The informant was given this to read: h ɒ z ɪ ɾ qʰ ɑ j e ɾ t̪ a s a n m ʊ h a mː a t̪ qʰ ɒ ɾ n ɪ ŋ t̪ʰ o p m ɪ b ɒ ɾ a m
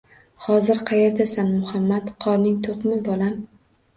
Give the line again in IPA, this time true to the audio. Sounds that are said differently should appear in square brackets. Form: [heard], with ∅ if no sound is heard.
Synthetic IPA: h ɒ z ɪ ɾ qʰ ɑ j e ɾ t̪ a s a n m ʊ h a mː a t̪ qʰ ɒ ɾ n ɪ ŋ t̪ʰ o [q] m ɪ b ɒ [l] a m